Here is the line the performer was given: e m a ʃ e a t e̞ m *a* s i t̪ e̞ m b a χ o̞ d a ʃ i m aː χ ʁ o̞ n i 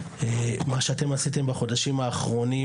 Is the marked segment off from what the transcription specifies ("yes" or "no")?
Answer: no